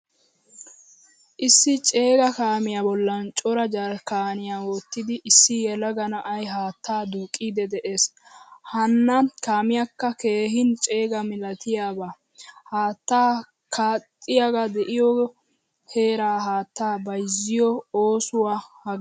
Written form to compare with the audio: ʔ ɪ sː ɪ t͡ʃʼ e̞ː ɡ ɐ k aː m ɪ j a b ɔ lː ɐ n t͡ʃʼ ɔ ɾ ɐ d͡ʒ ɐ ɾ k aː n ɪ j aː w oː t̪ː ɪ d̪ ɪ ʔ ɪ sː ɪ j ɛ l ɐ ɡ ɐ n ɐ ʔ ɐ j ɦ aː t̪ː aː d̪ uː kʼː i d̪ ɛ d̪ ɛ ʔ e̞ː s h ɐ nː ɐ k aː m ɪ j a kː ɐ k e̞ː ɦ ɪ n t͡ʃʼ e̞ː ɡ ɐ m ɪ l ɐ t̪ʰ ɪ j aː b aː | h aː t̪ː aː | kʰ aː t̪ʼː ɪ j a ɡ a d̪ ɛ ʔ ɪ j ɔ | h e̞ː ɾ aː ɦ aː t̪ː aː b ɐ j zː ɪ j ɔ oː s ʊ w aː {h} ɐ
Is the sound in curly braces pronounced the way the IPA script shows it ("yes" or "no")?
yes